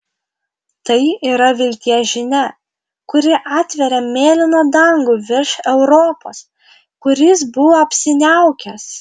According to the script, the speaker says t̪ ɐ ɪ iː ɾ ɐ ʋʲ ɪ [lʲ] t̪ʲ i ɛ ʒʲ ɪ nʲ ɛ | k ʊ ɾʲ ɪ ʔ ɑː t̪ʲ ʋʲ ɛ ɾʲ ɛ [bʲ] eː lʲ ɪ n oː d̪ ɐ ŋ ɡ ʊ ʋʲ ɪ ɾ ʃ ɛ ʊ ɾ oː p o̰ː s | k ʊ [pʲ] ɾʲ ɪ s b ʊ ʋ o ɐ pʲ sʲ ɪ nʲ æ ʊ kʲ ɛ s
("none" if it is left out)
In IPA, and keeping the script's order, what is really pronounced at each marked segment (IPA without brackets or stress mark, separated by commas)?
lʲ, mʲ, none